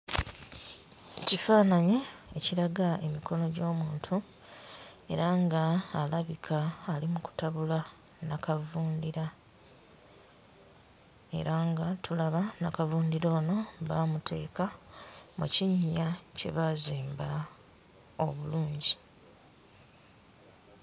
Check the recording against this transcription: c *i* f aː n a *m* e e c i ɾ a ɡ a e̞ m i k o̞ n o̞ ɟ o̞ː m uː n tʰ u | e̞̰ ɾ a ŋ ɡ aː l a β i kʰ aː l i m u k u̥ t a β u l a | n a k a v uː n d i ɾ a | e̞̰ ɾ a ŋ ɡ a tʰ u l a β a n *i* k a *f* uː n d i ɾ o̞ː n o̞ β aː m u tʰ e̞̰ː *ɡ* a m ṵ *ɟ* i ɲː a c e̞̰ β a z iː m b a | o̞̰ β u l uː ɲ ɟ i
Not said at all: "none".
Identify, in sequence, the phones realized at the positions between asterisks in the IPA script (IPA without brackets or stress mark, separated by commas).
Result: i, ɲ, a, v, k, c